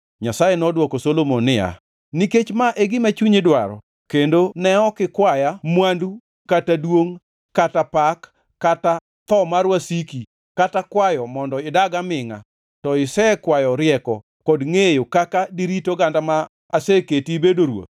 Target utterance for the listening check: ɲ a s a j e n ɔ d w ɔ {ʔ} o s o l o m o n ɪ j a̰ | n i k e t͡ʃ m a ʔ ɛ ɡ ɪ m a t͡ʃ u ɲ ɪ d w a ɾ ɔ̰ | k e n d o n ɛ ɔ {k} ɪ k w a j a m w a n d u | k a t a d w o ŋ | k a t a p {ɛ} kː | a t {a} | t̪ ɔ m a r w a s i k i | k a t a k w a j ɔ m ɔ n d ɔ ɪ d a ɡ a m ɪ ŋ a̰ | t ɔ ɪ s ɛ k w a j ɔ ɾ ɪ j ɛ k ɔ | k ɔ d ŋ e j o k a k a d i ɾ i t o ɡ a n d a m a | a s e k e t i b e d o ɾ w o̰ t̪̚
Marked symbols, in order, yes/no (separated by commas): no, yes, no, yes